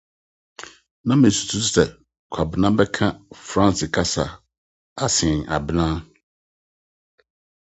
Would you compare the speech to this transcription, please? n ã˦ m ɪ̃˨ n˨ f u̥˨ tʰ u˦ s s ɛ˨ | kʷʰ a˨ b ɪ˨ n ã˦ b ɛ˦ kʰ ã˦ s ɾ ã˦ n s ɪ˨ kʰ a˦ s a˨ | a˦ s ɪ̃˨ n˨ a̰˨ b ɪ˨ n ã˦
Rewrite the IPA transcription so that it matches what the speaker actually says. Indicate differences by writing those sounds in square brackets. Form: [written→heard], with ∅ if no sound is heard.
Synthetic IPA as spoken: n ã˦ m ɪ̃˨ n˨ [f→s] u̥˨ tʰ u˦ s s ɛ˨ | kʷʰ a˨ b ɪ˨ n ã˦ b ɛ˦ kʰ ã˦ [s→f] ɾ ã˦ n s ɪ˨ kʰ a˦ s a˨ | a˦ s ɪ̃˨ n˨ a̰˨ b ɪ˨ n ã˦